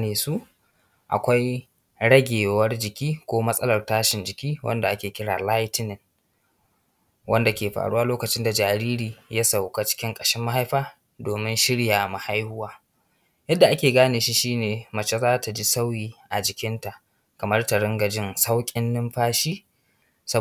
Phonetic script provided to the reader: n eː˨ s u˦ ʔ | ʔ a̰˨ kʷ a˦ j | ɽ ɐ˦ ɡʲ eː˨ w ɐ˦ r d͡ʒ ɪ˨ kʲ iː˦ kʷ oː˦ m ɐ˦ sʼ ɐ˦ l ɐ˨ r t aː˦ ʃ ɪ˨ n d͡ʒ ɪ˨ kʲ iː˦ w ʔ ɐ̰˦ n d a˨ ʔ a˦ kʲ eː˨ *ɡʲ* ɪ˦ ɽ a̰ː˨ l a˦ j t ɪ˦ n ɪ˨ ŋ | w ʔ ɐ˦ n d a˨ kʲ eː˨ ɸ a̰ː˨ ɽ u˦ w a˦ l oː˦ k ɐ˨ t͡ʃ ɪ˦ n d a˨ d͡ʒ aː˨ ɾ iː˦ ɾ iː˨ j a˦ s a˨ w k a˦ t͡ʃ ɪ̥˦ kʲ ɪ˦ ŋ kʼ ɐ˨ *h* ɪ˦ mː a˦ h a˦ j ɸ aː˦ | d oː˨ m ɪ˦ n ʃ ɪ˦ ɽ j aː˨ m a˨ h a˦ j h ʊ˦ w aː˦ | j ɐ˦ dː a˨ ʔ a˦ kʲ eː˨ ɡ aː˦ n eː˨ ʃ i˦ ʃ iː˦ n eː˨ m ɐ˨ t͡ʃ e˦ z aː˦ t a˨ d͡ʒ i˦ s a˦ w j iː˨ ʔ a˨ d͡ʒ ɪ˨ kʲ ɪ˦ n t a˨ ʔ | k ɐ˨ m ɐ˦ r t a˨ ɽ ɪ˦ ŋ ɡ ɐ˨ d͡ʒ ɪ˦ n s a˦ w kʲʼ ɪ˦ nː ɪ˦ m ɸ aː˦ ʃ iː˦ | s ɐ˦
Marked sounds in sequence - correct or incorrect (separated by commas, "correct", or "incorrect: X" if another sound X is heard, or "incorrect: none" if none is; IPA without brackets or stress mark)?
incorrect: kʲ, incorrect: ʃ